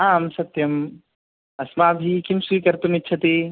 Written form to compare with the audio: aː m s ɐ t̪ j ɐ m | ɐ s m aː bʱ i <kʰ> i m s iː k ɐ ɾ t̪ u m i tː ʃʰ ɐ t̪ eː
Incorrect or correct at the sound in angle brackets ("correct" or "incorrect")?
incorrect